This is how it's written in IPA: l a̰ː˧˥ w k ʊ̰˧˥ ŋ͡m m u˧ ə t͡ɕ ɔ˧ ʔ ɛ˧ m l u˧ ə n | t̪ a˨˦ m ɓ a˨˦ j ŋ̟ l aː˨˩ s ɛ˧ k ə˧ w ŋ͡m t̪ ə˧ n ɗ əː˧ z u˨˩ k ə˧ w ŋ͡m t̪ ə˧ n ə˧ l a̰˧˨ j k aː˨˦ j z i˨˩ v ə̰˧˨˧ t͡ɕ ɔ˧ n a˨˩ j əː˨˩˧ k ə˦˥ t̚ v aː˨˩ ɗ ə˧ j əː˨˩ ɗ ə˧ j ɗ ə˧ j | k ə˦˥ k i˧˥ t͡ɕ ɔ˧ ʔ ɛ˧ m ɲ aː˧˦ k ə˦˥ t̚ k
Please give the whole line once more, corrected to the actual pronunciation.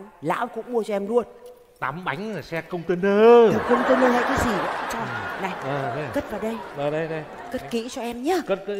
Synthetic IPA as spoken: l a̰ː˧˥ w k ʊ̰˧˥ ŋ͡m m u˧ ə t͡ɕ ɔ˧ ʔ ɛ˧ m l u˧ ə n | t̪ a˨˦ m ɓ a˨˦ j ŋ̟ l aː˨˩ s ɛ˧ k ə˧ w ŋ͡m t̪ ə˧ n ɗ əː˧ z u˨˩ k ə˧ w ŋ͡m t̪ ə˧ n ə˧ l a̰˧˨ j k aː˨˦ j z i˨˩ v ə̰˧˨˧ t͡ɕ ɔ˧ n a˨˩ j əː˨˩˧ k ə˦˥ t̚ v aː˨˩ ɗ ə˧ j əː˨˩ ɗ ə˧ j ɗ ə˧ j | k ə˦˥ k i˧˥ t͡ɕ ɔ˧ ʔ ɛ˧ m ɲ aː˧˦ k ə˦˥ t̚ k